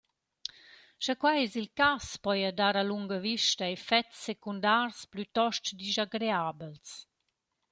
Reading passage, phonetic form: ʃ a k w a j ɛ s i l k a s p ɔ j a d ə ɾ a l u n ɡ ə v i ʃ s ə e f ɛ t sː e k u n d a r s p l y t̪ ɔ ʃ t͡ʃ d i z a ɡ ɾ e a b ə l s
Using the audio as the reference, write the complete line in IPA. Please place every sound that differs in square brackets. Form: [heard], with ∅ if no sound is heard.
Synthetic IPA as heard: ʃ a k w a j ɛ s i l k a s p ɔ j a d [a] ɾ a l u [ŋ] ɡ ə v i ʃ [t] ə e f ɛ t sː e k u n d a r s p l y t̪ ɔ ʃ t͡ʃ d i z a ɡ ɾ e a b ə l s